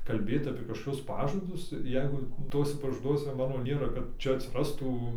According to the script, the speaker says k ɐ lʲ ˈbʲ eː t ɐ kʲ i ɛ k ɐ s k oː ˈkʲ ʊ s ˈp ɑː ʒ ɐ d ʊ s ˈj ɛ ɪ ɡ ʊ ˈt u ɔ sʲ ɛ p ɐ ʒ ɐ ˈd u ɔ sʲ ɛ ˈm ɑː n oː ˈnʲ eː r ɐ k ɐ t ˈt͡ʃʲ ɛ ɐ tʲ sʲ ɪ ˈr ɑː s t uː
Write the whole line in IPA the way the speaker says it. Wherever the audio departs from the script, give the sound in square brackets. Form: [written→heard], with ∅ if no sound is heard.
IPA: k ɐ lʲ ˈbʲ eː t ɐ [kʲ→pʲ] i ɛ k ɐ [s→ʃ] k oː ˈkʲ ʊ s ˈp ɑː ʒ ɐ d ʊ s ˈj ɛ ɪ ɡ ʊ ˈt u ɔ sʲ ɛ p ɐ ʒ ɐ ˈd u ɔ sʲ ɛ ˈm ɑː n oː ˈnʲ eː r ɐ k ɐ t ˈt͡ʃʲ ɛ ɐ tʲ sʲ ɪ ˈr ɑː s t uː